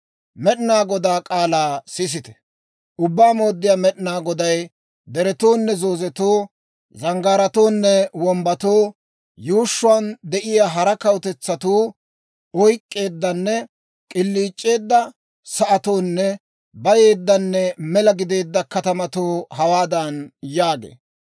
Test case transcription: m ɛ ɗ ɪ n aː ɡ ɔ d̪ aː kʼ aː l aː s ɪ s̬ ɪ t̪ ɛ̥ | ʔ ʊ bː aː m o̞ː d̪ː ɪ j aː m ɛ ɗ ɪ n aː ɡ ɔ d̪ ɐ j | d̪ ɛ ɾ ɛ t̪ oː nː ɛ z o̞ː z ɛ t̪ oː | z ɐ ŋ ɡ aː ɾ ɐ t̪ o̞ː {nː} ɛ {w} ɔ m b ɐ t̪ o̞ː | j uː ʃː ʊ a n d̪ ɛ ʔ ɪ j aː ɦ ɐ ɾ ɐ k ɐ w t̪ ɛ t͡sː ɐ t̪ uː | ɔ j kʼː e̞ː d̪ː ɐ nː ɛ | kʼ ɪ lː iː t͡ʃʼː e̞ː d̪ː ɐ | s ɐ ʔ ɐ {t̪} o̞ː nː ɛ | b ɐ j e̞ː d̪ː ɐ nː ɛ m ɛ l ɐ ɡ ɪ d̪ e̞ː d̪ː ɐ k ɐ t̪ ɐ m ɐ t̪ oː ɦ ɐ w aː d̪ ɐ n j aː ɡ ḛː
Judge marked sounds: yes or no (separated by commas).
yes, yes, yes